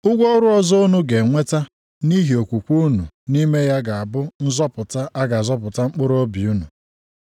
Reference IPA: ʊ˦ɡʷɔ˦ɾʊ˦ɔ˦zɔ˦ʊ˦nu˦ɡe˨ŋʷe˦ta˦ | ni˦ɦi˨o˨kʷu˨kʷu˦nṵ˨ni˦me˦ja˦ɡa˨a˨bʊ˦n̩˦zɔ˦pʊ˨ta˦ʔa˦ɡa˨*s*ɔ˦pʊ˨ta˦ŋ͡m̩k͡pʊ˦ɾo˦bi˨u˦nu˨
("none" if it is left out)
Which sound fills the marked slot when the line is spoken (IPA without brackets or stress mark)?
z